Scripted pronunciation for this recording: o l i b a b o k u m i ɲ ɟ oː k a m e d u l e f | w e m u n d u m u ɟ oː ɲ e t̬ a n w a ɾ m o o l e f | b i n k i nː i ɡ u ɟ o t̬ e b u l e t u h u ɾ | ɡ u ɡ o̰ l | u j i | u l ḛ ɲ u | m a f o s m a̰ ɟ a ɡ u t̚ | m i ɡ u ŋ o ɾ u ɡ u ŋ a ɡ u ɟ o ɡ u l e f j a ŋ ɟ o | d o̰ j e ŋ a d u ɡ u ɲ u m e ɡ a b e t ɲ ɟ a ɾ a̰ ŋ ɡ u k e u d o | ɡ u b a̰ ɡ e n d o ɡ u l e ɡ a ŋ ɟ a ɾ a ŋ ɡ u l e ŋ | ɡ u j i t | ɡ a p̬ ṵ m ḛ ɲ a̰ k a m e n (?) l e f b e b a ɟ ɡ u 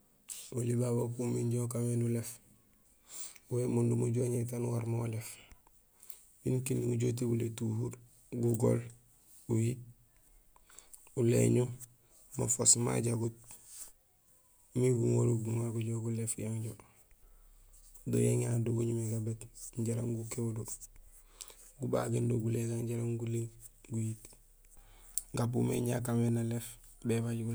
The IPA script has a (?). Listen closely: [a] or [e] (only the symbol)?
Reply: a